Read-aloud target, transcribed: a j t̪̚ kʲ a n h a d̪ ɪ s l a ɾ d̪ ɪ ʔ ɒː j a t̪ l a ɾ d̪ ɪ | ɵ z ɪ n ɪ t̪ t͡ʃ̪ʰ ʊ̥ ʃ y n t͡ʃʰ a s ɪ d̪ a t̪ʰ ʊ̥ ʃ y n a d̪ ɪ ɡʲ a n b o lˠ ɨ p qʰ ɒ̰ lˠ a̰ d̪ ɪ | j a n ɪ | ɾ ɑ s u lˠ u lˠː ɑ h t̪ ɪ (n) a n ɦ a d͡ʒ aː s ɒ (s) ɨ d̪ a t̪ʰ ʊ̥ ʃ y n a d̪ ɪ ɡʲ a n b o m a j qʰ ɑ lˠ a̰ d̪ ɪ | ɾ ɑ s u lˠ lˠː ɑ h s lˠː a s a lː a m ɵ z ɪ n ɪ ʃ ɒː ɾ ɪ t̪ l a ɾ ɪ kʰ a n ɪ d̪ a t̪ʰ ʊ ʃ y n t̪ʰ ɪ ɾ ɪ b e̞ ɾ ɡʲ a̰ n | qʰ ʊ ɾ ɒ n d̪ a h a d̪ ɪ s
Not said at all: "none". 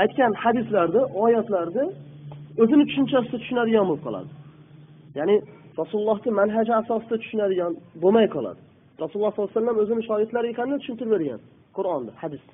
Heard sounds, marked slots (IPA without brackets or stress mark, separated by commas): m, s